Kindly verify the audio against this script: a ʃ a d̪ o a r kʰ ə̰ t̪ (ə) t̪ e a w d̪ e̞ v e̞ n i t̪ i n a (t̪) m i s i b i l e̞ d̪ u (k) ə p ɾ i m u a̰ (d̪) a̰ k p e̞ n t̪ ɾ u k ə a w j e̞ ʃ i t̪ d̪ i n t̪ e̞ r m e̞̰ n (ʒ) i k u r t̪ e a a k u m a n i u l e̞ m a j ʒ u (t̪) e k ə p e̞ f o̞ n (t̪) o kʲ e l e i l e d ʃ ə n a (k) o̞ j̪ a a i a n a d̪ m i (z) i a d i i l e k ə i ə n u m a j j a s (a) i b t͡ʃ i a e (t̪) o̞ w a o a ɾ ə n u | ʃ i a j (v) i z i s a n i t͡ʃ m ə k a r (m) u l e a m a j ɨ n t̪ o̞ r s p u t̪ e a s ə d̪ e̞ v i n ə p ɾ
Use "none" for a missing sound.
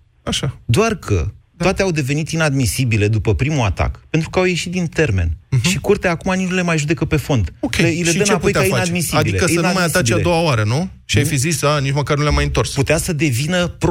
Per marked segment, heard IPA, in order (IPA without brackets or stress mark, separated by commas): a, d̪, p, t̪, ʃ, d̪, d̪, p, s, a, d̪, f, n